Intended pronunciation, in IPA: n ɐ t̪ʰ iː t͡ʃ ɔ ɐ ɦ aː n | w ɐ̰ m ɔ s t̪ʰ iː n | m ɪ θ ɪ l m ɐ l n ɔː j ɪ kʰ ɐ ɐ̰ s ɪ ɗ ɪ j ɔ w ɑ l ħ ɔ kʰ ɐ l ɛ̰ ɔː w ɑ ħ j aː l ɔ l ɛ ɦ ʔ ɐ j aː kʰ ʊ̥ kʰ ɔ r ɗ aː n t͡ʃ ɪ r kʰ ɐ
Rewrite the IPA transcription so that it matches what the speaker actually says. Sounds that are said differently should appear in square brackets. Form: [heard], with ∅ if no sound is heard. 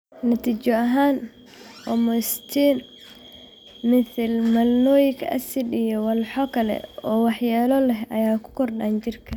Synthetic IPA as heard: n ɐ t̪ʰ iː t͡ʃ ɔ ɐ ɦ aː n | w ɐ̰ m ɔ s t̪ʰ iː n | m ɪ θ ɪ l m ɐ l n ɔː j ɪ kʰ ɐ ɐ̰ s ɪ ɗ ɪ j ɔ w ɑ l ħ ɔ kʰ ɐ l ɛ̰ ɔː w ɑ ħ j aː l ɔ l ɛ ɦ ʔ ɐ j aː kʰ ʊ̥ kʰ ɔ r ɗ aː n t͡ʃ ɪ r kʰ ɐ